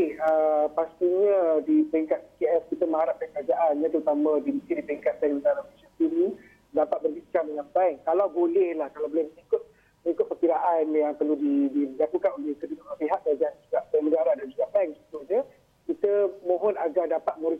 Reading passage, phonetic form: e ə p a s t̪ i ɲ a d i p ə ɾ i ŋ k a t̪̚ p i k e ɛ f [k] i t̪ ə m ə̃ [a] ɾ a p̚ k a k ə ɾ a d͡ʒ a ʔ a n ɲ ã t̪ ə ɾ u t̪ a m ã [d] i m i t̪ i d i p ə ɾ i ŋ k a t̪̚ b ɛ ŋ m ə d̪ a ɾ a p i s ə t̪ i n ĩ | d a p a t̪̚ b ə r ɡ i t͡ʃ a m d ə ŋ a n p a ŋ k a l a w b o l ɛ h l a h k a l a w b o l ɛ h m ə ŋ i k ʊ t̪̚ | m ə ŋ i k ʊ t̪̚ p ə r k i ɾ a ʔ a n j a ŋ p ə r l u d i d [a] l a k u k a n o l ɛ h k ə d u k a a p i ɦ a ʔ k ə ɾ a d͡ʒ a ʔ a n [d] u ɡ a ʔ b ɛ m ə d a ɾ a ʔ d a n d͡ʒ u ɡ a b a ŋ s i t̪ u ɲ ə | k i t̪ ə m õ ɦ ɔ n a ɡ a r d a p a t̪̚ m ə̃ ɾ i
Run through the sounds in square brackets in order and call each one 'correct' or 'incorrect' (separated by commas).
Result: correct, correct, correct, incorrect, incorrect